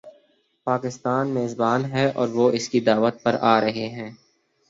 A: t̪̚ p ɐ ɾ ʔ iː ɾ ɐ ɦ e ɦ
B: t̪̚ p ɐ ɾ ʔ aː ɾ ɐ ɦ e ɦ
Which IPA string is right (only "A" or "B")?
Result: B